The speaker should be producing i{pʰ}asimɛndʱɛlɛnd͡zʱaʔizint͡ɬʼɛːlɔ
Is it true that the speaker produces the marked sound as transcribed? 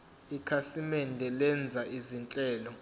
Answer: no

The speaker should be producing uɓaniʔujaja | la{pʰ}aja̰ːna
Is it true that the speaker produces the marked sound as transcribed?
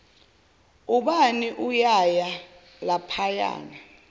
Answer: yes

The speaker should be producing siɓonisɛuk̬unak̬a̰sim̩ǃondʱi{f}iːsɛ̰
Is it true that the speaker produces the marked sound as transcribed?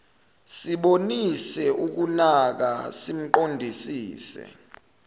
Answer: no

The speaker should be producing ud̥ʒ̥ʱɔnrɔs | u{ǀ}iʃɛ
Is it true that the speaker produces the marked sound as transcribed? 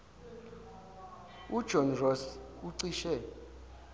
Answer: yes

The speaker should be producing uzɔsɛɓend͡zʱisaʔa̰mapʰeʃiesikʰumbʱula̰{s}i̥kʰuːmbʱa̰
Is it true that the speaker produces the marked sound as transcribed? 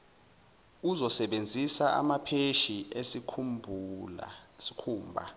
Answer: yes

